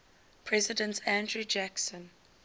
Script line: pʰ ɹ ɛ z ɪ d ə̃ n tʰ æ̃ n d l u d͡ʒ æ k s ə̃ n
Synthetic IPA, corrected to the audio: pʰ ɹ ɛ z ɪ d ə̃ n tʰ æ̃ n d ɹ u d͡ʒ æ k s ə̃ n